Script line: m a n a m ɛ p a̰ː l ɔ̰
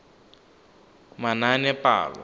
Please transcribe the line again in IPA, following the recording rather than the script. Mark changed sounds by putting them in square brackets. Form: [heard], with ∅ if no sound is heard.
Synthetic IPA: m a n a [n] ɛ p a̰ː l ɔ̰